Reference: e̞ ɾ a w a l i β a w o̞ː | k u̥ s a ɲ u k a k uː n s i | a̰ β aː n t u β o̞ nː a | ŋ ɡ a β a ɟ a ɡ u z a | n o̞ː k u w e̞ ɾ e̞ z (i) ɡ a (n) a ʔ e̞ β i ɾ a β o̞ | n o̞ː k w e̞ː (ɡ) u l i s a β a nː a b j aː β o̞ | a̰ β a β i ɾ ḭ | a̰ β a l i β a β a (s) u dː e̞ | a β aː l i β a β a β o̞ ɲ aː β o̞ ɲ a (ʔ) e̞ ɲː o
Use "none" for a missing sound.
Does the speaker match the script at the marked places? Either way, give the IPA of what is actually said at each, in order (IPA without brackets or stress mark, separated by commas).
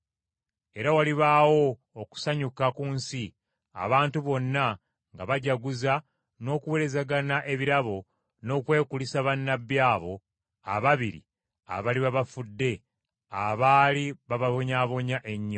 a, n, k, f, ʔ